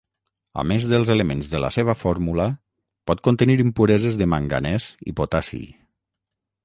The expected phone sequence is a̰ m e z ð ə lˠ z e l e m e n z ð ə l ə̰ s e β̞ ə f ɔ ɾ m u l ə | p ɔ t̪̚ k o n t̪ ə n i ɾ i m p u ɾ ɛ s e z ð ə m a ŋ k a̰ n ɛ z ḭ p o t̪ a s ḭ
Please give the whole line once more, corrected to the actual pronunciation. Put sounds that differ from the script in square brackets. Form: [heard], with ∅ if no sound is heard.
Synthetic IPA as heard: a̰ m e z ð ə lˠ z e l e m e n z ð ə l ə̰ s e β̞ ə f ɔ ɾ m u l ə | p ɔ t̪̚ k o n t̪ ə n i ɾ i m p u ɾ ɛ [z] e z ð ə m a ŋ [ɡ] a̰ n ɛ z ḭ p o t̪ a s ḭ